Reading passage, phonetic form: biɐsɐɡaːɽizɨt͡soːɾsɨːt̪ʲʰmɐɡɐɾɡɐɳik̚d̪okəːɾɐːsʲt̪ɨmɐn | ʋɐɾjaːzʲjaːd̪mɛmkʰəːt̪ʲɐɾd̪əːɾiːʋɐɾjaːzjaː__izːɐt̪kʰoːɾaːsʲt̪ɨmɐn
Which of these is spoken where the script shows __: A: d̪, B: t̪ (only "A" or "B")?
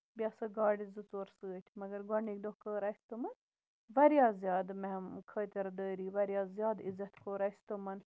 A